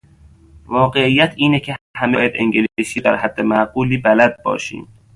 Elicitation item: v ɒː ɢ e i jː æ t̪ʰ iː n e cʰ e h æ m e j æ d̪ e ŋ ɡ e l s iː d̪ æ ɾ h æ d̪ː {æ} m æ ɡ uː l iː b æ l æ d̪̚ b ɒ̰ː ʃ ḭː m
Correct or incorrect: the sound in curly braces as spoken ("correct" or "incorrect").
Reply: incorrect